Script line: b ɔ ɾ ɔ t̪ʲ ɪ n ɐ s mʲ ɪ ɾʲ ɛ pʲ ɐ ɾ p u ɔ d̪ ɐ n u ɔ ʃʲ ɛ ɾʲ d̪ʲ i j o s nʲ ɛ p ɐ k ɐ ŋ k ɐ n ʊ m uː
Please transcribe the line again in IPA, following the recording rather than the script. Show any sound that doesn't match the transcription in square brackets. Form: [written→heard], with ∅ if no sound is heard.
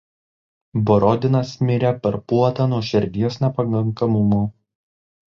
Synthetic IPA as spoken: b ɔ ɾ ɔ [t̪ʲ→d̪ʲ] ɪ n ɐ s mʲ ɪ ɾʲ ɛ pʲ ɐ ɾ p u ɔ [d̪→t̪] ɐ n u ɔ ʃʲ ɛ ɾʲ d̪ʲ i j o s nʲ ɛ p ɐ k ɐ ŋ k ɐ [n→m] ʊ m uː